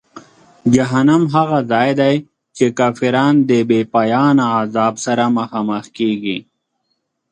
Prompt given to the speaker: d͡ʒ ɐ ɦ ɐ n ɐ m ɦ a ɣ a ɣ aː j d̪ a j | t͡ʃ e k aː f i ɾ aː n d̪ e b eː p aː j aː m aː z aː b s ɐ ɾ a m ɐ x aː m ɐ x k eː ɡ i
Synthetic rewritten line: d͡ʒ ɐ ɦ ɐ n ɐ m ɦ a ɣ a z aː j d̪ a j | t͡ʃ e k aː f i ɾ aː n d̪ e b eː p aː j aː n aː z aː b s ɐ ɾ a m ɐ x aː m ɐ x k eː ɡ i